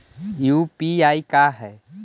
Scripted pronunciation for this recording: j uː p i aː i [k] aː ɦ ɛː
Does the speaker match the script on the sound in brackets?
yes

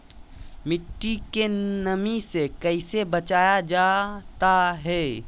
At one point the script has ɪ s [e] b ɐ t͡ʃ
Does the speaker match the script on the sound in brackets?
yes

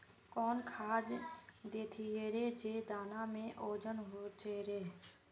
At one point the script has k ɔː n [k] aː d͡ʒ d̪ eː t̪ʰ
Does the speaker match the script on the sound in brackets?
no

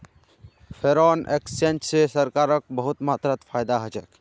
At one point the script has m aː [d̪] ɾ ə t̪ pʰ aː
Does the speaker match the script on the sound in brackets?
no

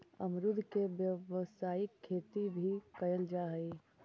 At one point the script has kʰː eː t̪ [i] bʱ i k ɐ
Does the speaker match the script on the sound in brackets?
yes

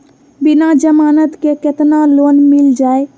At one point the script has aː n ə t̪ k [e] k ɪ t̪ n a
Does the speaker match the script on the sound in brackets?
yes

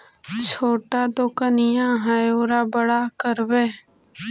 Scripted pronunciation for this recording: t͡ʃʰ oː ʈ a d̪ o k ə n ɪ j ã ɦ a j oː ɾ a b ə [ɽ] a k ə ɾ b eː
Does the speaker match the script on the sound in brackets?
yes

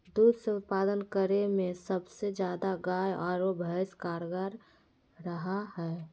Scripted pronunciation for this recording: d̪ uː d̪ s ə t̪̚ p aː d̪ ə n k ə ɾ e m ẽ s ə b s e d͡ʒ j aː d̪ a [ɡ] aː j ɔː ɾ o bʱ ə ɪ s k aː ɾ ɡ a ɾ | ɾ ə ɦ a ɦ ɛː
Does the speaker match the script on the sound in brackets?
yes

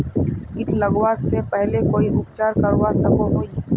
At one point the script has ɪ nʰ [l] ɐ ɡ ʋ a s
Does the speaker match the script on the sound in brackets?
yes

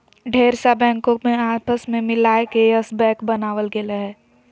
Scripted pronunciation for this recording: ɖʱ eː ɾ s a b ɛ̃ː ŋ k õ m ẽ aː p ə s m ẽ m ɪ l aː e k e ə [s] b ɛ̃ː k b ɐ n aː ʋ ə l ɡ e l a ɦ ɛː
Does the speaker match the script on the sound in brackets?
yes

